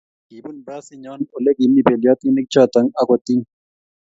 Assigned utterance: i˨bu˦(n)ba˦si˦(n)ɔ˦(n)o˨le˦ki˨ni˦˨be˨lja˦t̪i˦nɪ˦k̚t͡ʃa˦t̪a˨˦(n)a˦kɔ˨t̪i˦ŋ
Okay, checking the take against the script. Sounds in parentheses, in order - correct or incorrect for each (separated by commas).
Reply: correct, incorrect, correct, incorrect